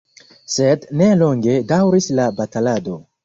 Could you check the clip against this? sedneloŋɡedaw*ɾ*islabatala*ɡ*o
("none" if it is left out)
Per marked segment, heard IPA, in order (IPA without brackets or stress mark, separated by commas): ɾ, d